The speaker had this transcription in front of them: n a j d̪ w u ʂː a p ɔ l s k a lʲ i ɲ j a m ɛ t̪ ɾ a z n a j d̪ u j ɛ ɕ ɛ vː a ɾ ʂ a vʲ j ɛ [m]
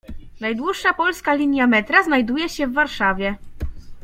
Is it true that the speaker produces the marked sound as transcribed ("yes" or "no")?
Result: no